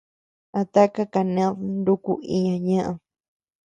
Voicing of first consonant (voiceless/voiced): voiceless